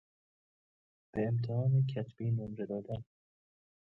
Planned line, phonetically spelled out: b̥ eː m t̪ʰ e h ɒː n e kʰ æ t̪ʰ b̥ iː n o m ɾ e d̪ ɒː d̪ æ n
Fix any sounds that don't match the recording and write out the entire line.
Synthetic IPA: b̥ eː m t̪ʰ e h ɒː n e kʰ æ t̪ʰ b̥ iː n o m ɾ e d̪ ɒː d̪ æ n